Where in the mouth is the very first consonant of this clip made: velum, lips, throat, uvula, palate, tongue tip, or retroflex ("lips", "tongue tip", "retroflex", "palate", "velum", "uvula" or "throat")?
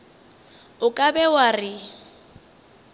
velum